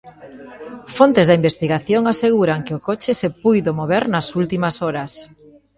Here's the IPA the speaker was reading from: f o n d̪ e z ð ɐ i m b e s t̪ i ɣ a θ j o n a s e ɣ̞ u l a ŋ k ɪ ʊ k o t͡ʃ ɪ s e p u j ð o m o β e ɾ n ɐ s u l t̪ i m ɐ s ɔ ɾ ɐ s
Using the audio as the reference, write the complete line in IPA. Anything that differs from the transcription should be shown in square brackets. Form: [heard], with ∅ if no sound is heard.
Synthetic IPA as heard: f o n [t̪] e z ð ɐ i m b e s t̪ i ɣ a θ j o [ŋ] a s e ɣ̞ u [ɾ] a ŋ k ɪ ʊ k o t͡ʃ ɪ s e p u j ð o m o β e ɾ n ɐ s u l t̪ i m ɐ s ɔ ɾ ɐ s